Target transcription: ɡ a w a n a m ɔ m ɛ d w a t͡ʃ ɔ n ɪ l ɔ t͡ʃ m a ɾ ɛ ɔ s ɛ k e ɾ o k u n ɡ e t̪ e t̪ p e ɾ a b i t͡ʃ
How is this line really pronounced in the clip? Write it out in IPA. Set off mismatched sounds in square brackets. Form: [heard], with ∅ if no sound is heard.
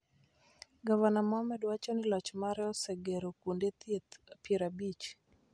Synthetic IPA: ɡ a [v] a n a m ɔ m ɛ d w a t͡ʃ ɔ n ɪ l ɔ t͡ʃ m a ɾ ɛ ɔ s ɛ [ɡ] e ɾ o k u n [d] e t̪ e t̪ p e ɾ a b i t͡ʃ

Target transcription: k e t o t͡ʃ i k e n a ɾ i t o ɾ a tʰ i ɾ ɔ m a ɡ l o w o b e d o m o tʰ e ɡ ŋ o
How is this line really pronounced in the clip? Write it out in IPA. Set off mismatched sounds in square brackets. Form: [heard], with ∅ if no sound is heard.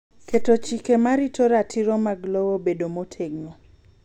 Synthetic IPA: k e t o t͡ʃ i k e [m] a ɾ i t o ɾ a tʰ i ɾ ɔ m a ɡ l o w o b e d o m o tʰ e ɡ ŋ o

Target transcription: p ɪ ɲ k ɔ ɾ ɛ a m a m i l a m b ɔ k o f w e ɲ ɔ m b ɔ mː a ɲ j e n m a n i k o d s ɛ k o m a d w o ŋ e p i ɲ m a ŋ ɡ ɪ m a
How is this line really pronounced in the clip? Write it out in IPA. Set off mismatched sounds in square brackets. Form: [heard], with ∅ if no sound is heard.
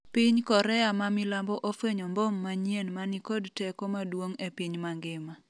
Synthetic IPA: p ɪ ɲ k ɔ ɾ ɛ a m a m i l a m b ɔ [ʔ] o f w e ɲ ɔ m b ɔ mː a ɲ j e n m a n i k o d [t] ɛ k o m a d w o ŋ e p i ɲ m a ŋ ɡ ɪ m a

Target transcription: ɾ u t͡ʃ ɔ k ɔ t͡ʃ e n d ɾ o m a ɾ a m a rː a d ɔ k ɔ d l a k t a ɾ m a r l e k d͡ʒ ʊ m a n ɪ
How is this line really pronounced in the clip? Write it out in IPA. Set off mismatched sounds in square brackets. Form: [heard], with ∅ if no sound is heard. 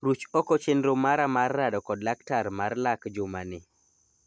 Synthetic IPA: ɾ u t͡ʃ ɔ k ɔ t͡ʃ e n d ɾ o m a ɾ a m a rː a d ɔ k ɔ d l a k t a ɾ m a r l [a] k d͡ʒ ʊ m a n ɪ

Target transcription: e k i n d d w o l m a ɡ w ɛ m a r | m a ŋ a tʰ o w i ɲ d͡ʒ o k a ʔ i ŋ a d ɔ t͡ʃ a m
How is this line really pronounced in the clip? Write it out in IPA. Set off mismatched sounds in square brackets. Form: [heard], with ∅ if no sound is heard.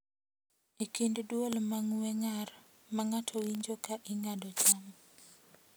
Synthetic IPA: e k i n d d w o l m a [ŋ] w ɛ [ŋ] a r | m a ŋ a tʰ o w i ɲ d͡ʒ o k a ʔ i ŋ a d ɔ t͡ʃ a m

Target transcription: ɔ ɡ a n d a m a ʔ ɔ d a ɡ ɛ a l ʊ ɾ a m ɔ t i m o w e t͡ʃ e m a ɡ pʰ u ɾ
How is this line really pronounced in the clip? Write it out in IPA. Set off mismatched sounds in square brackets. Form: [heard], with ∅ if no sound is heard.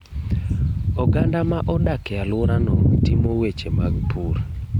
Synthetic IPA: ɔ ɡ a n d a m a ʔ ɔ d a [k] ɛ a l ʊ ɾ a [n] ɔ t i m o w e t͡ʃ e m a ɡ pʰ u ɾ

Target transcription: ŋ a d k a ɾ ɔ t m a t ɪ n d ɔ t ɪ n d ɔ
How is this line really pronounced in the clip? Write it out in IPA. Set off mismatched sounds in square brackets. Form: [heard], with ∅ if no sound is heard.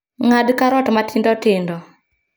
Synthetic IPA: ŋ a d k a ɾ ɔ t m a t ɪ n d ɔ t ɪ n d ɔ

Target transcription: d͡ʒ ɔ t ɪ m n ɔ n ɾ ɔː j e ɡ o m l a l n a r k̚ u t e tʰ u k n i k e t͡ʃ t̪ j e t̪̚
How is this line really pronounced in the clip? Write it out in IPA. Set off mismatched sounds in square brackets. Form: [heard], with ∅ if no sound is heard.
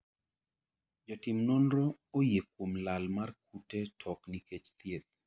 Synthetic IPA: d͡ʒ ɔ t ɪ m n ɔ n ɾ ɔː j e [k] o m l a l [m] a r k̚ u t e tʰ [ɔ] k n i k e t͡ʃ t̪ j e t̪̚

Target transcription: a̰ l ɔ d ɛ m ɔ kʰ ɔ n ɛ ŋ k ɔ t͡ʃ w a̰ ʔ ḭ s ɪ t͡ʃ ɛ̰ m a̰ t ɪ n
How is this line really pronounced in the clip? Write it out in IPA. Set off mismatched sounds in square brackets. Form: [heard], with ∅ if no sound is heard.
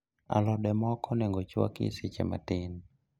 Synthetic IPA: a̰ l ɔ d ɛ m ɔ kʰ ɔ n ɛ ŋ [ɡ] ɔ t͡ʃ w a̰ [k] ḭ s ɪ t͡ʃ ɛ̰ m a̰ t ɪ n

